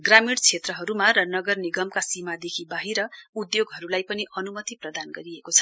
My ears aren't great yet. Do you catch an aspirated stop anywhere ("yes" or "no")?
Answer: yes